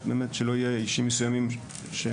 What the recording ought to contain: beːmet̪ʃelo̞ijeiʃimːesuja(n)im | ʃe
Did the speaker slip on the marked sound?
yes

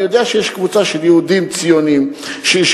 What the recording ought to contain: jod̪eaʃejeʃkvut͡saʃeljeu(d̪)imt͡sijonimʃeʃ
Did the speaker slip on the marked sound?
no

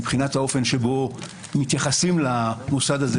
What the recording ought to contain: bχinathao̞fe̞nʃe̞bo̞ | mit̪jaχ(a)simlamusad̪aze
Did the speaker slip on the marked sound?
no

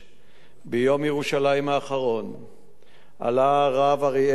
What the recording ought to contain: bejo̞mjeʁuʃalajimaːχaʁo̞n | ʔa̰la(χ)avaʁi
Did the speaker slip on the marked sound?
yes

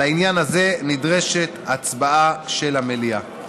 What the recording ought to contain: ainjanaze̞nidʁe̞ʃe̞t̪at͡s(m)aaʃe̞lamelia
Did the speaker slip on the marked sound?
yes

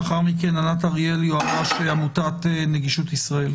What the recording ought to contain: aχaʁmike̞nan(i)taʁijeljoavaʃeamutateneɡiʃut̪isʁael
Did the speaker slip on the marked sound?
yes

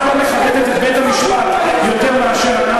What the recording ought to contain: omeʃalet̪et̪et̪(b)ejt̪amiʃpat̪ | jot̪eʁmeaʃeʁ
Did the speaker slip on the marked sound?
no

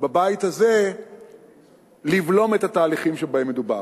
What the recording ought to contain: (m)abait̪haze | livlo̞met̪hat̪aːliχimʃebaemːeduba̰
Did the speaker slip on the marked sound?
yes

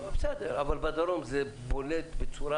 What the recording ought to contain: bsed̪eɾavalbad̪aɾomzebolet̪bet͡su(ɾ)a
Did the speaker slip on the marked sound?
no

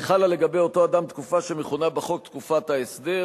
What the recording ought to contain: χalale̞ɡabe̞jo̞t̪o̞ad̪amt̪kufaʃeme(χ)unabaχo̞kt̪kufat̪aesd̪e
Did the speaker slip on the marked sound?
no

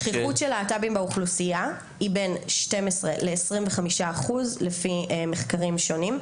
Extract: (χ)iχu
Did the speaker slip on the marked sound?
no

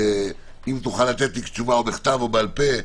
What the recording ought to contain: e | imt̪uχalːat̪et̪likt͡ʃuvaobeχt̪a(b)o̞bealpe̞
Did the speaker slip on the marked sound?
yes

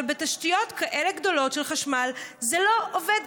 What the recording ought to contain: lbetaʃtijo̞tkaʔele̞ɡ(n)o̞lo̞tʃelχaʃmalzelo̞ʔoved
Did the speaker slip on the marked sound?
yes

